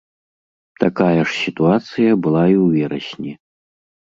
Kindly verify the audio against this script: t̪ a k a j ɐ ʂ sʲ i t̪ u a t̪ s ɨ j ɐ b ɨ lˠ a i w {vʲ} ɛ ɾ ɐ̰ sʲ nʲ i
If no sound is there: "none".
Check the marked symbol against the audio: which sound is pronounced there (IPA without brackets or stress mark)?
vʲ